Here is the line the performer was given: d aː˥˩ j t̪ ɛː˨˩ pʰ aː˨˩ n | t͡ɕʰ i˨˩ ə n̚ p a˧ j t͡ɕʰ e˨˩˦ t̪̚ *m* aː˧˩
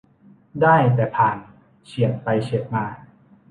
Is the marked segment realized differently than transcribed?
no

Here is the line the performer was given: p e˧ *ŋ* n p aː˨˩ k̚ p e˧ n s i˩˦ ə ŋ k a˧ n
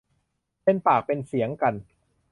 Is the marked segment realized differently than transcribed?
yes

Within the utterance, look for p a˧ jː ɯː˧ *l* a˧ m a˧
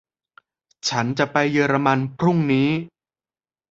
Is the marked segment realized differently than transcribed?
yes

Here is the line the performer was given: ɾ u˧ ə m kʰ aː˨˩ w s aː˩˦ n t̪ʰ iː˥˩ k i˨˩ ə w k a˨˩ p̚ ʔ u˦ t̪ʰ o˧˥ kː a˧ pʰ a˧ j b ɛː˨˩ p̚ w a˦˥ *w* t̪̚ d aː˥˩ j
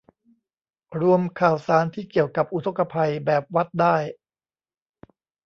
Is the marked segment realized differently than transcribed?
yes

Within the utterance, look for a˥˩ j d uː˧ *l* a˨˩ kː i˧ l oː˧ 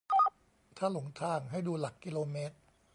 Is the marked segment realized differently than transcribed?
no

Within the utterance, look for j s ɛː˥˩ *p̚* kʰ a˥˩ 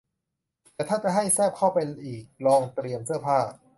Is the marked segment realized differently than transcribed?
no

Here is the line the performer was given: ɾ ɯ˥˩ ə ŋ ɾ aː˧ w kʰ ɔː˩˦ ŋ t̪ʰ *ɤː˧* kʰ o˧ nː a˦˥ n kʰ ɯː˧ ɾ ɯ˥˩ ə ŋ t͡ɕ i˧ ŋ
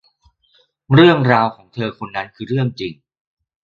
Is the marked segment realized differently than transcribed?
no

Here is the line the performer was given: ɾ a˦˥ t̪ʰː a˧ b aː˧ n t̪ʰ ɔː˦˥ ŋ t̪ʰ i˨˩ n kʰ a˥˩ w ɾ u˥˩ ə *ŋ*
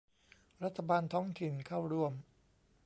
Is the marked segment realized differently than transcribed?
yes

